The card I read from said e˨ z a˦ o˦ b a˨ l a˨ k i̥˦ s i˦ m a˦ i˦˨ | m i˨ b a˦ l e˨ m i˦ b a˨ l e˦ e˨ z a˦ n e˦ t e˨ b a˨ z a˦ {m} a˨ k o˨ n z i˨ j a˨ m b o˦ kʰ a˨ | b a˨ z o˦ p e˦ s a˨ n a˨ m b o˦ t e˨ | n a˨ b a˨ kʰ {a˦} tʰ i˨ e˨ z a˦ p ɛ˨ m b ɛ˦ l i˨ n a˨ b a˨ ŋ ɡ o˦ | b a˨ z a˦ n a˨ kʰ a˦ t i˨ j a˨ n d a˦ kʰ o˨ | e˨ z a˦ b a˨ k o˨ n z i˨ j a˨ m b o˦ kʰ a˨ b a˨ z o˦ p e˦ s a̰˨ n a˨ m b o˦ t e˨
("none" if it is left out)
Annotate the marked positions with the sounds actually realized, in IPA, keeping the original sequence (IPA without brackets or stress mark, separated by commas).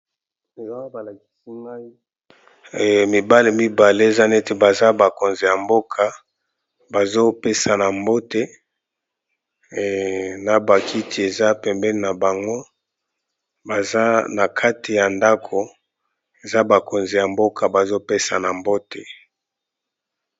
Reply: b, i˦